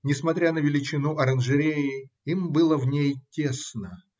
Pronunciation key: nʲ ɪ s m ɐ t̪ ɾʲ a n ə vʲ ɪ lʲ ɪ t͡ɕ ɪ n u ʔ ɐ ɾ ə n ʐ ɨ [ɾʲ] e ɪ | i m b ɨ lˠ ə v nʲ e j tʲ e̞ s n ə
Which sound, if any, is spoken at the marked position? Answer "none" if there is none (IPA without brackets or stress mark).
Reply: ɾʲ